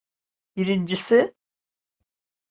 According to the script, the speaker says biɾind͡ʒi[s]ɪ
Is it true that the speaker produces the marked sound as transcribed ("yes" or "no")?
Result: yes